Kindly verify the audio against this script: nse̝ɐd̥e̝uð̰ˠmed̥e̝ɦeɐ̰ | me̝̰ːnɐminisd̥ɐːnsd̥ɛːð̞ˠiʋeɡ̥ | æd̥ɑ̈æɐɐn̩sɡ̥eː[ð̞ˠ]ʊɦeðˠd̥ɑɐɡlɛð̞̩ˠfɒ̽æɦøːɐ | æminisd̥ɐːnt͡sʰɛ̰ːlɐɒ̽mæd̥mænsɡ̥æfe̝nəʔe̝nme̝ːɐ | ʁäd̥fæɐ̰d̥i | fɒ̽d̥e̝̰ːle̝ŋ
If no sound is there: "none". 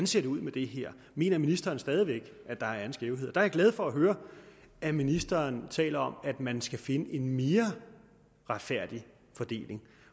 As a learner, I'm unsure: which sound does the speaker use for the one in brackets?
none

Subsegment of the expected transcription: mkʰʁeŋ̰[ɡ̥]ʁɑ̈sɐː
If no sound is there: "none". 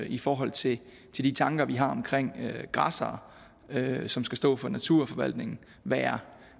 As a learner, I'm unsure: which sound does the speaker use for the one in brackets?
ɡ̥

